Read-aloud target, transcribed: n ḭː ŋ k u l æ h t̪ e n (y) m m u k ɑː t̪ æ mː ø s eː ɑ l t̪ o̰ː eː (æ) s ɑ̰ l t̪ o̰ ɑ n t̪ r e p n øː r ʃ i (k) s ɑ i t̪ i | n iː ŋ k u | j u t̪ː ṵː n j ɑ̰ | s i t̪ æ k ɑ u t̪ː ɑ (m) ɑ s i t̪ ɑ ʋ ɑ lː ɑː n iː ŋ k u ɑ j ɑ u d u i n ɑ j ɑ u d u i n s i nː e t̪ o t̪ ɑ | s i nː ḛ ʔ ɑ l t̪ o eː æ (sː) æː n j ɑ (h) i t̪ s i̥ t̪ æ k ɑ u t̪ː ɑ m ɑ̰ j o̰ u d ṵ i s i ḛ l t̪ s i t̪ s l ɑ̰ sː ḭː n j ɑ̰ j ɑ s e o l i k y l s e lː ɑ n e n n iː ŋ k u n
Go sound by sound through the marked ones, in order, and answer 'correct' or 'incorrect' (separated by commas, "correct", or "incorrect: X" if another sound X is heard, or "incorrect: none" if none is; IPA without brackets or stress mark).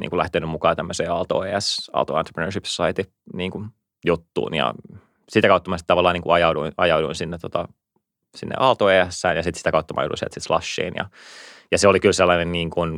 correct, correct, incorrect: p, correct, correct, incorrect: s